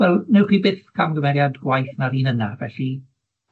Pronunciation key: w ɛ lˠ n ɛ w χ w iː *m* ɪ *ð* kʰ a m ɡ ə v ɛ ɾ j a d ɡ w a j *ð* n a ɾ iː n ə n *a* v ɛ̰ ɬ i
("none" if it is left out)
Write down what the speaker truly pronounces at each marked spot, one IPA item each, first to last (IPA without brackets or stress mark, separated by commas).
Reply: b, θ, θ, a